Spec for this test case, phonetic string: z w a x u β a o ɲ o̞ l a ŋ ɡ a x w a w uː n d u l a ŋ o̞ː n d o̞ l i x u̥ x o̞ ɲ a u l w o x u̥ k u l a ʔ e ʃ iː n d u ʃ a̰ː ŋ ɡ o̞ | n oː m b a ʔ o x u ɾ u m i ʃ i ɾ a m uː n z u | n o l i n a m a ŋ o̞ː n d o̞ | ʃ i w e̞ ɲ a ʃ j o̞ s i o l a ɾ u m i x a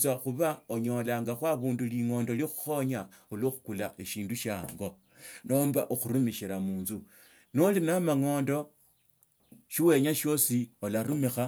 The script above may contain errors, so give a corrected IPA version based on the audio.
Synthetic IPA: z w a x u β a o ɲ o̞ l a ŋ ɡ a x w a β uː n d u l i ŋ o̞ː n d o̞ l i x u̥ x o̞ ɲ a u l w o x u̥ k u l a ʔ e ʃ iː n d u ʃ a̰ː ŋ ɡ o̞ | n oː m b a ʔ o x u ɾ u m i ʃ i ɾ a m uː n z u | n o l i n a m a ŋ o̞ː n d o̞ | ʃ i w e̞ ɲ a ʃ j o̞ s i o l a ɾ u m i x a

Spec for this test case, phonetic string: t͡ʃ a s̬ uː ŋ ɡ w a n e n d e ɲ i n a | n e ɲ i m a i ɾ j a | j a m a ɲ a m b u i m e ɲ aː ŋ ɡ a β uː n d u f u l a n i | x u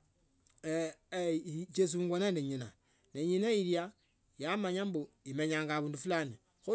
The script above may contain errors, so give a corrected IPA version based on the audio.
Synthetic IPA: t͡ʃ e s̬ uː ŋ ɡ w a n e n d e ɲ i n a | n e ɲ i n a i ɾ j a | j a m a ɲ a m b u i m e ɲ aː ŋ ɡ a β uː n d u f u l a n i | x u

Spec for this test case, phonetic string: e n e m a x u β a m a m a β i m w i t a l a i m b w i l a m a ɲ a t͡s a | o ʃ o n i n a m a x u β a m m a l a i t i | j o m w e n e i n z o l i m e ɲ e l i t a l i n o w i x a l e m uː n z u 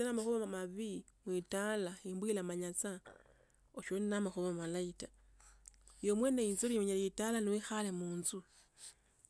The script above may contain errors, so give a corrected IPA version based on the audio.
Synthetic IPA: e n a m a x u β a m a m a β i m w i t a l a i m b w i l a m a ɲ a t͡s a | o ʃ o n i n a m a x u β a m m a l a i t a | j o m w e n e i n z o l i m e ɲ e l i t a l a n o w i x a l e m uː n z u

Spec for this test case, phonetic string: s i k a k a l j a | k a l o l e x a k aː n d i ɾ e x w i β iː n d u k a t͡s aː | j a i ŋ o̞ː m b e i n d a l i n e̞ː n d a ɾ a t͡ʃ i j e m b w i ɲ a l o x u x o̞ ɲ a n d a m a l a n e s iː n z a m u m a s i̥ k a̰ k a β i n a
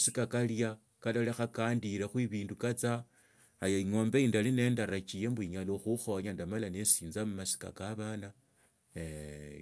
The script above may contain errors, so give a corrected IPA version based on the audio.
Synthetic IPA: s i k a k a l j a | k a l o l e x a k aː n d i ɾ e x w i β iː n d u k a t͡s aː | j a i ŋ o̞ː m b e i n d a l i n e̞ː n d a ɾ a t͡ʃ i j e m b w i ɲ a l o x u x o̞ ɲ a n d a m a l a n e s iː n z a m u m a s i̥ k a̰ k a β a n a

